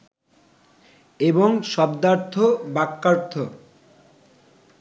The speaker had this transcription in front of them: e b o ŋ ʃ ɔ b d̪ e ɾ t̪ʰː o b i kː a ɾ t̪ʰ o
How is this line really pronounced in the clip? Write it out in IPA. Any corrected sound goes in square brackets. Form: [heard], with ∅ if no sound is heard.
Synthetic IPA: e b o ŋ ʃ ɔ b d̪ [a] ɾ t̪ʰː o b [a] kː a ɾ t̪ʰ o